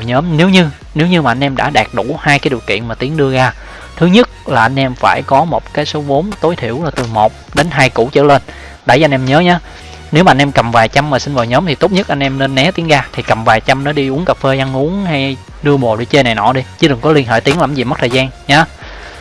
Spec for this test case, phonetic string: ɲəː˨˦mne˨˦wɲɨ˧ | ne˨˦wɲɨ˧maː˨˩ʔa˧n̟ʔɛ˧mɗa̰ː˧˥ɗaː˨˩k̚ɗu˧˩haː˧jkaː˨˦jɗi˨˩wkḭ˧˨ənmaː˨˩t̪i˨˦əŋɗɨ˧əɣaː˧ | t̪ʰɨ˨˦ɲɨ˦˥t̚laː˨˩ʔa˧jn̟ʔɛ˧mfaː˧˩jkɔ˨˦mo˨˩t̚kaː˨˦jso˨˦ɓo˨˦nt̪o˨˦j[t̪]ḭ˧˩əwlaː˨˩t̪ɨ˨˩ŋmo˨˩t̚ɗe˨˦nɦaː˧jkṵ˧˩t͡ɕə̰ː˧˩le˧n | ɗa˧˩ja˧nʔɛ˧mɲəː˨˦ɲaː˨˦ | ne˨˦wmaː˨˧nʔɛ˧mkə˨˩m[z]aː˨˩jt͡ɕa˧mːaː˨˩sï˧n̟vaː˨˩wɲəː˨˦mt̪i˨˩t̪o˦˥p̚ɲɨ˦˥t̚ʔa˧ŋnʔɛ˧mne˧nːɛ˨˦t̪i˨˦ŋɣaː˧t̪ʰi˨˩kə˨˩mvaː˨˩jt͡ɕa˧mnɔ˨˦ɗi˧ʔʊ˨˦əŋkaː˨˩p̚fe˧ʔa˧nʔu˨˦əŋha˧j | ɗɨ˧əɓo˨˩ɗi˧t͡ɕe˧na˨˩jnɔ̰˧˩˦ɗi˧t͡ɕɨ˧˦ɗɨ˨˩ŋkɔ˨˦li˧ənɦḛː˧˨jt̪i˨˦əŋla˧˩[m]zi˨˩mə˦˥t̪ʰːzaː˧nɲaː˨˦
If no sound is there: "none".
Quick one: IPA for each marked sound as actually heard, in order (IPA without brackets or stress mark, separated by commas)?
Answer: t̪ʰ, v, m